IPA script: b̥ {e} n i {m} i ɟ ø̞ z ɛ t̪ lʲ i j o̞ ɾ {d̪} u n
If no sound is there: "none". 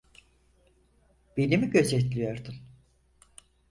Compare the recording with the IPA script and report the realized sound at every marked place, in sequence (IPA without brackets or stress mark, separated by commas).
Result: e, m, d̪